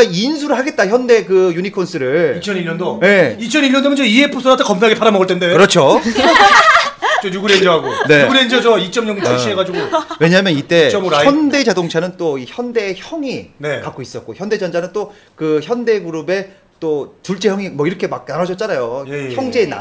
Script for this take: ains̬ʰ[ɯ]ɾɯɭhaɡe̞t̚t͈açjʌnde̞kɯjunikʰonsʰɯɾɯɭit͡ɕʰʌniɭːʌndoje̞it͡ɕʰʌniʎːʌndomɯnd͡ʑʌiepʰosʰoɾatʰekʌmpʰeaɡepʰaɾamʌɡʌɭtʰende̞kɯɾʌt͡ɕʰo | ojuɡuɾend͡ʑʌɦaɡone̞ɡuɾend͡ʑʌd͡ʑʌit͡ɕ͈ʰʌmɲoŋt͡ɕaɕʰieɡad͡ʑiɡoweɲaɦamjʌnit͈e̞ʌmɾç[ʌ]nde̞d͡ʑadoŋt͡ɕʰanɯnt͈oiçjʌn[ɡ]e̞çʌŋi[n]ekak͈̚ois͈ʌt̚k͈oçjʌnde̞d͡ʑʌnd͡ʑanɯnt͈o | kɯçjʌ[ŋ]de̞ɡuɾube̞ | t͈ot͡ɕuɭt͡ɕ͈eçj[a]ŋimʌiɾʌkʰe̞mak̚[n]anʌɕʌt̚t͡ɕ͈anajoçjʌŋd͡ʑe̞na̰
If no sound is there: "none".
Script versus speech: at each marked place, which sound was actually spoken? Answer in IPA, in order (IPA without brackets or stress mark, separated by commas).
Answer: u, ʌ, d, n, n, ʌ, n